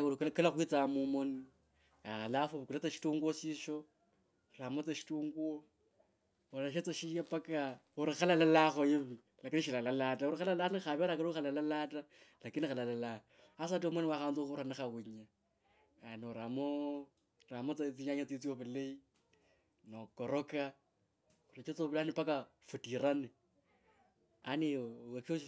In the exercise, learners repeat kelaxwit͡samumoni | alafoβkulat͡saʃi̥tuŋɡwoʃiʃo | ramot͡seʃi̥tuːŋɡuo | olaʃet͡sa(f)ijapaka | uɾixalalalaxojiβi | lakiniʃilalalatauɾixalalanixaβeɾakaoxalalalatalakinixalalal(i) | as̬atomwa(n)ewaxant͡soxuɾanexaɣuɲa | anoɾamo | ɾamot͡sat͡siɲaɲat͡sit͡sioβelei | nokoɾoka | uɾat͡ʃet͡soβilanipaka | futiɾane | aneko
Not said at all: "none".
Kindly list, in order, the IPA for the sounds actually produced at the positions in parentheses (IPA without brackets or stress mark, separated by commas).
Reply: ʃ, a, n